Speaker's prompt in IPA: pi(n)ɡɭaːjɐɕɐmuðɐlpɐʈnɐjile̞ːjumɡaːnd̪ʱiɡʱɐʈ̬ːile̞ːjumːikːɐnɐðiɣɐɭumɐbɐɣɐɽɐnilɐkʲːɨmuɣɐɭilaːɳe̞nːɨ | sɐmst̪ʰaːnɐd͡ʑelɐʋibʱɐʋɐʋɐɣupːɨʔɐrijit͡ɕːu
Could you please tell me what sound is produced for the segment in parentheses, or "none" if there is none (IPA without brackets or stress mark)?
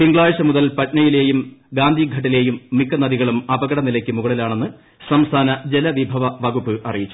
ŋ